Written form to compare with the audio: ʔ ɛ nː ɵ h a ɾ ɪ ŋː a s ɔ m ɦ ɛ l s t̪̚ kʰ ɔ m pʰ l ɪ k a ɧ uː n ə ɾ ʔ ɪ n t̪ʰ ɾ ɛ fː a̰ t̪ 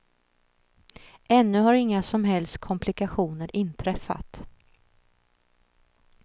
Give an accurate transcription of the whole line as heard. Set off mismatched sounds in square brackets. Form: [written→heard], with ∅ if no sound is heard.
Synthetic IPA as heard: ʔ ɛ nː ɵ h a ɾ ɪ ŋː a s ɔ m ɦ ɛ l s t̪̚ kʰ ɔ m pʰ l ɪ k a ɧ uː n ə ɾ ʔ ɪ n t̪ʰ ɾ ɛ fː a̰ t̪